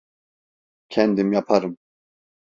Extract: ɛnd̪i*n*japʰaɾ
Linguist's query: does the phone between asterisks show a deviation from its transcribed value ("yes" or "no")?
yes